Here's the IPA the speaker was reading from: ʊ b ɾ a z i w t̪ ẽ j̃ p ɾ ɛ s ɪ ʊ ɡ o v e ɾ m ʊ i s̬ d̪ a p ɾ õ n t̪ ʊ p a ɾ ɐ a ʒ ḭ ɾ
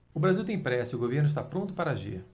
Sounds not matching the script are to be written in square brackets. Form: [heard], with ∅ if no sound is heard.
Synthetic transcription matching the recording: ʊ b ɾ a z i w t̪ ẽ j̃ p ɾ ɛ s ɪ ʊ ɡ o v e ɾ [n] ʊ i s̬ [t̪] a p ɾ õ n t̪ ʊ p a ɾ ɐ a ʒ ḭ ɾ